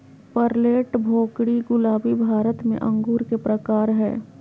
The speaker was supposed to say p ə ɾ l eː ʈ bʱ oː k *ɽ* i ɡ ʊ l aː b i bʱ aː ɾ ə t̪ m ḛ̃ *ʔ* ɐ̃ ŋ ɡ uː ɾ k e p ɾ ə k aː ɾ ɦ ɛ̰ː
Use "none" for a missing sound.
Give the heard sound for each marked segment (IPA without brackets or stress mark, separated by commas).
ɽ, ʔ